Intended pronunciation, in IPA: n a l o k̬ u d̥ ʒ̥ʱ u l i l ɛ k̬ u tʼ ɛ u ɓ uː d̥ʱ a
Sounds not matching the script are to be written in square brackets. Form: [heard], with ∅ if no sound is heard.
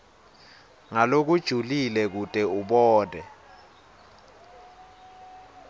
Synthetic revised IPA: [ŋ] a l o k̬ u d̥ ʒ̥ʱ u l i l ɛ k̬ u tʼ ɛ u ɓ [ɔː] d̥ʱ [ɛ]